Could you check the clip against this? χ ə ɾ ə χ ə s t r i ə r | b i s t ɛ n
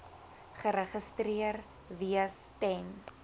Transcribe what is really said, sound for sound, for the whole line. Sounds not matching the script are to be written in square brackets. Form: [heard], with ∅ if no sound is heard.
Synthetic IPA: χ ə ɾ ə χ ə s t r i ə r | [v] i s t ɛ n